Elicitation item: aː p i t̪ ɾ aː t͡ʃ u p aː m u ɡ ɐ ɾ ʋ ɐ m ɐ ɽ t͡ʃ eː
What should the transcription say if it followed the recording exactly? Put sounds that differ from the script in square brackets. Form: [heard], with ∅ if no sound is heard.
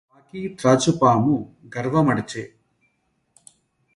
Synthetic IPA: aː [k] i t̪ ɾ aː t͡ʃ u p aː m u ɡ ɐ ɾ ʋ ɐ m ɐ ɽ t͡ʃ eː